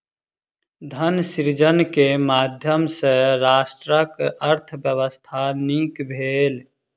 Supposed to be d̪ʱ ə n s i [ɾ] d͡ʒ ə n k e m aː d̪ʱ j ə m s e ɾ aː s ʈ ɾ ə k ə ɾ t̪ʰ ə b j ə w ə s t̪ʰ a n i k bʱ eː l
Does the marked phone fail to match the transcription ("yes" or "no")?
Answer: no